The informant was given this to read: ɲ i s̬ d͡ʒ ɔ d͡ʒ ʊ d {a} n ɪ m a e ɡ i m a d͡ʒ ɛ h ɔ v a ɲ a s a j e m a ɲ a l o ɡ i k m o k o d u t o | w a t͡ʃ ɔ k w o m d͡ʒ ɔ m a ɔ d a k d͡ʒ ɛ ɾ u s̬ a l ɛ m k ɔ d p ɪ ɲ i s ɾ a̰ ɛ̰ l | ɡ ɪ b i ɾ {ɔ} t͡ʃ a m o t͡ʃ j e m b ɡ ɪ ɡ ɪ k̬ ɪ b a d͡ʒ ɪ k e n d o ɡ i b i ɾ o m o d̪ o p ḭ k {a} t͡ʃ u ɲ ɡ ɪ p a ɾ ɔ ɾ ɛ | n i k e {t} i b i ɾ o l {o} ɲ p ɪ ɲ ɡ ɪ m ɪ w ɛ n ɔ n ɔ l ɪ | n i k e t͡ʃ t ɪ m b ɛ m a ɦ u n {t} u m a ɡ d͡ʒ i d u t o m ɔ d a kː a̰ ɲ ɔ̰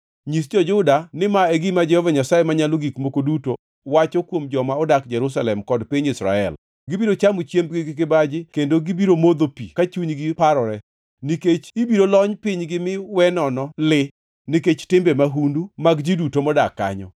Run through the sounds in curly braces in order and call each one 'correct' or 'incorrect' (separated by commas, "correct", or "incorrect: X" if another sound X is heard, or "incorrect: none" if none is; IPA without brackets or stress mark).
correct, incorrect: o, correct, incorrect: t͡ʃ, incorrect: ɔ, incorrect: d